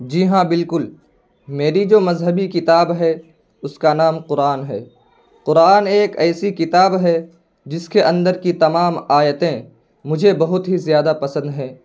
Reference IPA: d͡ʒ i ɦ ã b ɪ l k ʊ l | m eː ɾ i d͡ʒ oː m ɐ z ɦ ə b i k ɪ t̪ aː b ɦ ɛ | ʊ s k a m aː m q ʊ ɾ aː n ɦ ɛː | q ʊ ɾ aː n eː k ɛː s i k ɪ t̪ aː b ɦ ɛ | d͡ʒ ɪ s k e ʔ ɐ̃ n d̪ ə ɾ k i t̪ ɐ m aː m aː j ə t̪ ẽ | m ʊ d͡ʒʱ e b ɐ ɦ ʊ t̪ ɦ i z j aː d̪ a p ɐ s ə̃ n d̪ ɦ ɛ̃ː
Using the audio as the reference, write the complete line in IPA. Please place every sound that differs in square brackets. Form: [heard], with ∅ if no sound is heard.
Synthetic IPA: d͡ʒ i ɦ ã b ɪ l k ʊ l | m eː ɾ i d͡ʒ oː m ɐ z ɦ ə b i k ɪ t̪ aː b ɦ ɛ | ʊ s k a [n] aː m q ʊ ɾ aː n ɦ ɛː | q ʊ ɾ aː n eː k ɛː s i k ɪ t̪ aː b ɦ ɛ | d͡ʒ ɪ s k e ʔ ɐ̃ n d̪ ə ɾ k i t̪ ɐ m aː m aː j ə t̪ ẽ | m ʊ d͡ʒʱ e b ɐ ɦ ʊ t̪ ɦ i z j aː d̪ a p ɐ s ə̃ n d̪ ɦ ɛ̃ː